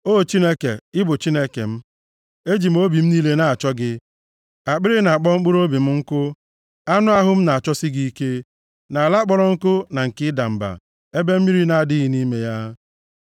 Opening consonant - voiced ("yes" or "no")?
no